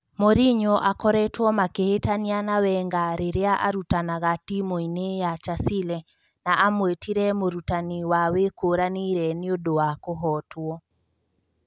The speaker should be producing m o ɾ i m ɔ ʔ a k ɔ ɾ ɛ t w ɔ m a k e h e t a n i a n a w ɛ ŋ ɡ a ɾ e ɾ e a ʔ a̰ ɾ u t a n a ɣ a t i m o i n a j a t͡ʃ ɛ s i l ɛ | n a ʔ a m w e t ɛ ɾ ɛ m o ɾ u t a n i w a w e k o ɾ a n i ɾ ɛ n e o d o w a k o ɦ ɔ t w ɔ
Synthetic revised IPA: m o ɾ i ɲ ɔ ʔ a k ɔ ɾ ɛ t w ɔ m a k e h e t a n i a n a w ɛ ŋ ɡ a ɾ e ɾ e a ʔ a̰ ɾ u t a n a ɣ a t i m o i n e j a t͡ʃ a s i l ɛ | n a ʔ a m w e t i ɾ ɛ m o ɾ u t a n i w a w e k o ɾ a n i ɾ ɛ n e o d o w a k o ɦ ɔ t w ɔ